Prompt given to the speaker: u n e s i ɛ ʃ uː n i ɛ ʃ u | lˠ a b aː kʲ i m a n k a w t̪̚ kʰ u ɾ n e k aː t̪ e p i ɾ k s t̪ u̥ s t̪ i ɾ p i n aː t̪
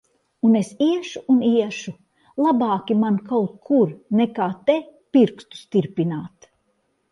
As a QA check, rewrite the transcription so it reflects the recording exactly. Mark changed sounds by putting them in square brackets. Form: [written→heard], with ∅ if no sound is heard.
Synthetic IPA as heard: u n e s i ɛ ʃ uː n i ɛ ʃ u | lˠ a b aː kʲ i m a n k a w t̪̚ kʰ u ɾ n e k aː t̪ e p i ɾ k s t̪ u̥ s t̪ i ɾ p i n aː t̪